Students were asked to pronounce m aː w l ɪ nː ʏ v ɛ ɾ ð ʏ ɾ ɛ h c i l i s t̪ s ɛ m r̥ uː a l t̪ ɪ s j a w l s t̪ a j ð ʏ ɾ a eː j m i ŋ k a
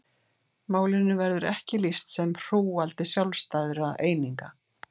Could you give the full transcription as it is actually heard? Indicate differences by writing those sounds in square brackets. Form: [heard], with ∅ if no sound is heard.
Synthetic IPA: m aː w l ɪ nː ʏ v ɛ ɾ ð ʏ ɾ ɛ h c [ɪ] l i s t̪ s ɛ m r̥ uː a l t̪ ɪ s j a w l s t̪ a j ð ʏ ɾ a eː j [n] i ŋ k a